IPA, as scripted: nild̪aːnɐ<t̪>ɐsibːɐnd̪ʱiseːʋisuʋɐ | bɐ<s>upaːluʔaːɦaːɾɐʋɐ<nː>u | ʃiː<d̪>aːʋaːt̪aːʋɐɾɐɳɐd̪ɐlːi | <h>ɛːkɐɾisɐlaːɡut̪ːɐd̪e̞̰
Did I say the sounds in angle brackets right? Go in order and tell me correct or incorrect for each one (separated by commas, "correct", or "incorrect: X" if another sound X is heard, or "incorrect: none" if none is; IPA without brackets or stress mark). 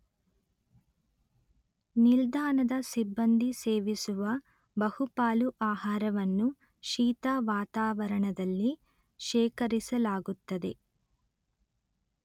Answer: incorrect: d̪, incorrect: h, correct, incorrect: t̪, incorrect: ʃ